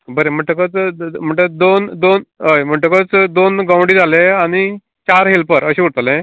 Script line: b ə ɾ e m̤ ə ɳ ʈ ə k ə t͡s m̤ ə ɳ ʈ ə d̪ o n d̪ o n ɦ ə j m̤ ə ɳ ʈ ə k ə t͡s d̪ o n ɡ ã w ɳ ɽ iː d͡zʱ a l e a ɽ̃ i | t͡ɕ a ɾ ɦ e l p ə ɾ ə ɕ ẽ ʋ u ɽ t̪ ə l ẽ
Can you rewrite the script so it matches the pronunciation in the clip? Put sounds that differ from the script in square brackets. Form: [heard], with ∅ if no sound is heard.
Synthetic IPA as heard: b ə ɾ e m̤ ə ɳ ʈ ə k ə t͡s m̤ ə ɳ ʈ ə d̪ o n d̪ o n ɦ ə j m̤ ə ɳ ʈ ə k ə t͡s d̪ o n ɡ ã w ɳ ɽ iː d͡zʱ a l e a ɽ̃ i | t͡ɕ a ɾ ɦ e l p ə ɾ ə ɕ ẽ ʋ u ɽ t̪ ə l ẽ